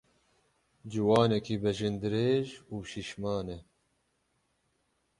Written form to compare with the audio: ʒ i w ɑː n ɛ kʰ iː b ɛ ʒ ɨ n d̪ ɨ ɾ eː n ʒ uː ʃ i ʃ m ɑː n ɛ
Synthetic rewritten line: d͡ʒ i w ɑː n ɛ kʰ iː b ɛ ʒ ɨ n d̪ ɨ ɾ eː ʒ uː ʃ i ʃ m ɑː n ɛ